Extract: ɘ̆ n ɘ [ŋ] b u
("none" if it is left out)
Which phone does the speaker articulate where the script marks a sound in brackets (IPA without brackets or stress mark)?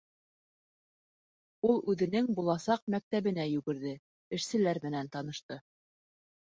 ŋ